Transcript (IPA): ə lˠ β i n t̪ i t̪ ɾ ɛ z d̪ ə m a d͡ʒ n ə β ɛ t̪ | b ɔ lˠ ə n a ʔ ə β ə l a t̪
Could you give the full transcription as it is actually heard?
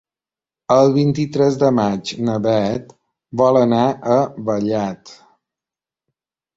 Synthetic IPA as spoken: ə lˠ β i n t̪ i t̪ ɾ ɛ z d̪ ə m a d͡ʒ n ə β ɛ t̪ | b ɔ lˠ ə n a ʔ ə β ə ʎ a t̪